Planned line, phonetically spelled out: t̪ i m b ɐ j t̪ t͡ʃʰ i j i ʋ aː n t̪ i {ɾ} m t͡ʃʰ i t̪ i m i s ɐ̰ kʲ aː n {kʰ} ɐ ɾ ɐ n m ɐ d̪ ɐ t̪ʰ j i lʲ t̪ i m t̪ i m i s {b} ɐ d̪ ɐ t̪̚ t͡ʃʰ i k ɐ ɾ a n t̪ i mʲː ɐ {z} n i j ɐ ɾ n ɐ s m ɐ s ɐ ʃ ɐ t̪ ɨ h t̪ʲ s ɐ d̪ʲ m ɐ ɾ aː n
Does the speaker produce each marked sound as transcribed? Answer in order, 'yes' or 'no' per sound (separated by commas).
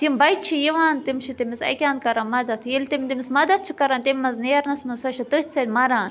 no, no, no, yes